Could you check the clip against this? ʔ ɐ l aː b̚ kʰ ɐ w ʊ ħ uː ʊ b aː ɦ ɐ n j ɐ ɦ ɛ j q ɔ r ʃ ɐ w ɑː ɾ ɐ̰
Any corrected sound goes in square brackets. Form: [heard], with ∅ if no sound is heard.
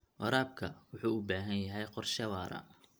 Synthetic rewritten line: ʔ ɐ [ɾ] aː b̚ kʰ ɐ w ʊ ħ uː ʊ b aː ɦ ɐ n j ɐ ɦ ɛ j q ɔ r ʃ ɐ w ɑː ɾ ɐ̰